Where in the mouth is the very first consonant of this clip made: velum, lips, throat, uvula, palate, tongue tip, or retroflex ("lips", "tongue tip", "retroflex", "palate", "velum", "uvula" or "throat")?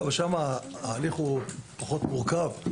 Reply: lips